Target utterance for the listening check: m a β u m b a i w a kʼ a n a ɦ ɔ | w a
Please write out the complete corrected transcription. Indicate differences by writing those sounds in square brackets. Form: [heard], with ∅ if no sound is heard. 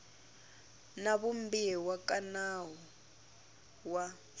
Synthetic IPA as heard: [n] a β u m b [i] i w a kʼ a n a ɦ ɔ | w a

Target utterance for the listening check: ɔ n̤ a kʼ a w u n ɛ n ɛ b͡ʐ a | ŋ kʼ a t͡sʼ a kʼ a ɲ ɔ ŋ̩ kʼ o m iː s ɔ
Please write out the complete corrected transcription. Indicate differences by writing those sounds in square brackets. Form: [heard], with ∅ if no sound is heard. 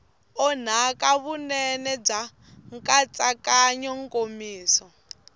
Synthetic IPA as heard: ɔ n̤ a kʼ a [β] u n ɛ n ɛ b͡ʐ a | ŋ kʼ a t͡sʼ a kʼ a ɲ ɔ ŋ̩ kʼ o m iː s ɔ

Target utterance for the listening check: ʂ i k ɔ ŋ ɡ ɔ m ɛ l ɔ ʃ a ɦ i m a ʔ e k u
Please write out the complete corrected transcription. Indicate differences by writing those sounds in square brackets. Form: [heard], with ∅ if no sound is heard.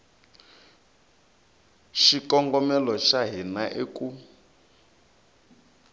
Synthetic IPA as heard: [ʃ] i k ɔ ŋ ɡ ɔ m ɛ l ɔ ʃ a ɦ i [n] a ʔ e k u

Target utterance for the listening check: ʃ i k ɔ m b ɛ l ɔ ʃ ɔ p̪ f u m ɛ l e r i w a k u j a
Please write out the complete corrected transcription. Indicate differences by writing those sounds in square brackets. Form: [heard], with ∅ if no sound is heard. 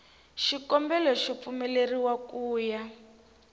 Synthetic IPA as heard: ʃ i k ɔ m b ɛ l ɔ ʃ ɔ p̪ f u m ɛ l e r i w a k [uː] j a

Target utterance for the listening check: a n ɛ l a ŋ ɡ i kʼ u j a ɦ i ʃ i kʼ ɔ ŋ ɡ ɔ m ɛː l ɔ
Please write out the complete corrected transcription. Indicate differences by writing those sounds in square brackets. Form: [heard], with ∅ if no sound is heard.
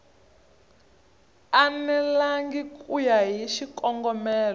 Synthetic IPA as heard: a n ɛ l a ŋ ɡ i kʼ u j a ɦ i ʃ i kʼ ɔ ŋ ɡ ɔ m ɛː l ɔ

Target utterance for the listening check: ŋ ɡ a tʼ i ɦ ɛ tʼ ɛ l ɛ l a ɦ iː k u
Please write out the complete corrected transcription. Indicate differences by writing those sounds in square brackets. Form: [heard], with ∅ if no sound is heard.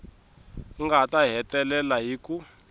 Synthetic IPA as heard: ŋ ɡ a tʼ [a] ɦ ɛ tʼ ɛ l ɛ l a ɦ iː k u

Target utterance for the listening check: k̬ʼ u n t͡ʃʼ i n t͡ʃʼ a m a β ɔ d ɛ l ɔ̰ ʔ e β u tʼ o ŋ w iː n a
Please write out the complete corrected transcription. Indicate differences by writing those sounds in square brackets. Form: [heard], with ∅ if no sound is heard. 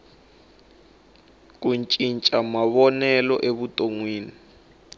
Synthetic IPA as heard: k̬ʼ u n t͡ʃʼ i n t͡ʃʼ a m a β ɔ [n] ɛ l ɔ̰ ʔ e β u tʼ o ŋ w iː n [i]

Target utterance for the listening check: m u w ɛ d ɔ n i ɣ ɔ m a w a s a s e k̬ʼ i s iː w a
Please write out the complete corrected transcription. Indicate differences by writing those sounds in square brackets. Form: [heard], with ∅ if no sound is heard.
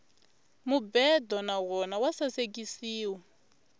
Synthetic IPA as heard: m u [b] ɛ d ɔ n [a] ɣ ɔ [n] a w a s a s e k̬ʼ i s iː w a

